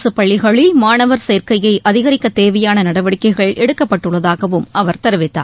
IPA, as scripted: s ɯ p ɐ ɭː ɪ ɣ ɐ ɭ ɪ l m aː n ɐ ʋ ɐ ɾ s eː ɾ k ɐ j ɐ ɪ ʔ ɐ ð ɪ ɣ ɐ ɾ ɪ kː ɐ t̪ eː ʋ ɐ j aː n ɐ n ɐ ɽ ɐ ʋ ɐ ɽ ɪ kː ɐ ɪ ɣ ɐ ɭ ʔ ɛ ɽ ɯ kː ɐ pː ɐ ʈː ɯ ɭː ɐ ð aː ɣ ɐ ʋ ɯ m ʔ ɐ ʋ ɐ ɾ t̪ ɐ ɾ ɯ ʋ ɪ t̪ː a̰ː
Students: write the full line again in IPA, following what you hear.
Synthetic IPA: s ɯ p ɐ ɭː ɪ ɣ ɐ ɭ ɪ l m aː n ɐ ʋ ɐ ɾ s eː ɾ k ɐ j ɐ ɪ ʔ ɐ ð ɪ ɣ ɐ ɾ ɪ kː ɐ t̪ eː ʋ ɐ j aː n ɐ n ɐ ɽ ɐ ʋ ɐ ɽ ɪ kː ɐ ɪ ɣ ɐ ɭ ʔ ɛ ɽ ɯ kː ɐ pː ɐ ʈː ɯ ɭː ɐ ð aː ɣ ɐ ʋ ɯ m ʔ ɐ ʋ ɐ ɾ t̪ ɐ ɾ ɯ ʋ ɪ t̪ː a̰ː